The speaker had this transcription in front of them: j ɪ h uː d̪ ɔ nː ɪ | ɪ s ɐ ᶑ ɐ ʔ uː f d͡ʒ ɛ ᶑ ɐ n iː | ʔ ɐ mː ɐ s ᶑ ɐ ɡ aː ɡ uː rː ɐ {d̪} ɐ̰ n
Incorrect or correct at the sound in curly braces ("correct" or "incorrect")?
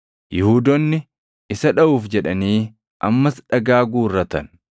incorrect